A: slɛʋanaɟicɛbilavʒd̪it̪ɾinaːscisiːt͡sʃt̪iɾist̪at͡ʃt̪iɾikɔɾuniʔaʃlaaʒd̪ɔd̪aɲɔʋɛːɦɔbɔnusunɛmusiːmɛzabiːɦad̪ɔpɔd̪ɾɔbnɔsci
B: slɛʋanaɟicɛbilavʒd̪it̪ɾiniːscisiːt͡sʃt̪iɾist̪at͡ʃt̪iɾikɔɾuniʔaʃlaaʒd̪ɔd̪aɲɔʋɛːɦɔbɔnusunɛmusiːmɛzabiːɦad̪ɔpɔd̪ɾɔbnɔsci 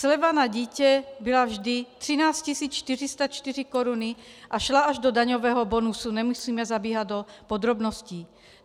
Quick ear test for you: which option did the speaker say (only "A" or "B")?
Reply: A